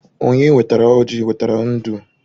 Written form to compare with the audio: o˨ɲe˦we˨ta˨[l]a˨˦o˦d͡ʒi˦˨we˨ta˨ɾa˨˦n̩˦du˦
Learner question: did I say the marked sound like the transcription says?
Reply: no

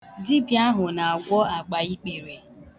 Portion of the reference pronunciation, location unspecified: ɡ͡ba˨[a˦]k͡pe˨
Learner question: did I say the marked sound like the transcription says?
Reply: no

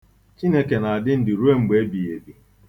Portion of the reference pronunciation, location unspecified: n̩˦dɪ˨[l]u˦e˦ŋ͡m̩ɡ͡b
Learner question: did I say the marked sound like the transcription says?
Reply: no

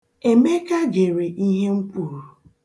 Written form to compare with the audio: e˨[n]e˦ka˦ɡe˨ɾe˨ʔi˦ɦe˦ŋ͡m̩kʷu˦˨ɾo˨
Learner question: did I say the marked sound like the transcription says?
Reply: no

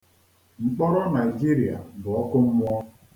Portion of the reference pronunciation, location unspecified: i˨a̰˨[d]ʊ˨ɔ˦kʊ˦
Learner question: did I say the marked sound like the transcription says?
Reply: no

